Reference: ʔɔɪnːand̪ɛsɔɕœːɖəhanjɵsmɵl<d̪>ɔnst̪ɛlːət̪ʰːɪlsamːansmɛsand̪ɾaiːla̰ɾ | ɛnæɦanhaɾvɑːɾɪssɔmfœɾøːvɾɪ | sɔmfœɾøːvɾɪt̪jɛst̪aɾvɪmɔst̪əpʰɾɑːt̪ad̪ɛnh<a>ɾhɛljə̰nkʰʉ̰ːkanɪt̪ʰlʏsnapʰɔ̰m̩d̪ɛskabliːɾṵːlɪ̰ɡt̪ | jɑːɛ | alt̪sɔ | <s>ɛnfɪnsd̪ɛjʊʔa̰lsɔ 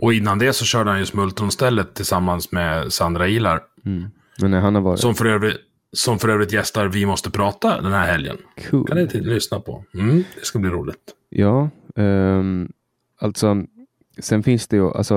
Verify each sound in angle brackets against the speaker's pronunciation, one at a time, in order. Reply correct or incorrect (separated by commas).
incorrect, incorrect, correct